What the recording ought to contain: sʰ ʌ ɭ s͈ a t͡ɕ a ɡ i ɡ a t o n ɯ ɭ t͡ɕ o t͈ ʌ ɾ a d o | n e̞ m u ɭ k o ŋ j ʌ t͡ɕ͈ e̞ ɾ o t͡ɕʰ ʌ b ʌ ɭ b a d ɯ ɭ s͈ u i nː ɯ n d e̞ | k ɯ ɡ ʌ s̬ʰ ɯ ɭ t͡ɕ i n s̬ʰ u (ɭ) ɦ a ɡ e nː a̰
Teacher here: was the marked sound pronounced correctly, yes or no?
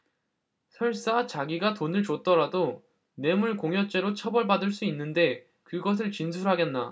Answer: no